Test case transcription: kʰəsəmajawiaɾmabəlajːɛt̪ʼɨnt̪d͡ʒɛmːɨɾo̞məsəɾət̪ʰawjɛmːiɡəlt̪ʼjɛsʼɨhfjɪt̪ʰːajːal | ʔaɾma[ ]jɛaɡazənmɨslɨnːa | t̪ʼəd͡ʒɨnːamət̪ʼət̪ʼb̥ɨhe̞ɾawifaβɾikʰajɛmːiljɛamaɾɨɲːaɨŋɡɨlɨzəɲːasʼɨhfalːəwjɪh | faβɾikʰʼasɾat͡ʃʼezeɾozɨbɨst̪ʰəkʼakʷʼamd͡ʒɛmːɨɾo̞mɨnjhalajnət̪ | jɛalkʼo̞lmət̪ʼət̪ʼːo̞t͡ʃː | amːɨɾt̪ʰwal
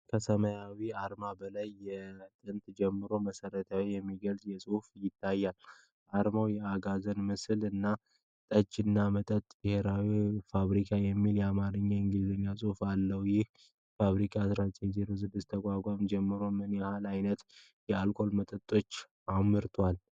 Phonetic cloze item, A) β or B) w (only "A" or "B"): B